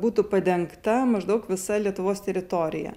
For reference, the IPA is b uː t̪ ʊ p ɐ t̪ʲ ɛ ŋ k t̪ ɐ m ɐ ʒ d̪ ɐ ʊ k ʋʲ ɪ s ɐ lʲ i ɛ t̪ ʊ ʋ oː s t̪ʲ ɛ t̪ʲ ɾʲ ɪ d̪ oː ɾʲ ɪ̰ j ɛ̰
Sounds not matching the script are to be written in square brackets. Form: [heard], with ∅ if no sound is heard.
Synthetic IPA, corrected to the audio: b uː t̪ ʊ p ɐ [d̪ʲ] ɛ ŋ k t̪ ɐ m ɐ ʒ d̪ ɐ ʊ k ʋʲ ɪ s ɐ lʲ i ɛ t̪ ʊ ʋ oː s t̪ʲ ɛ [∅] ɾʲ ɪ [t̪] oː ɾʲ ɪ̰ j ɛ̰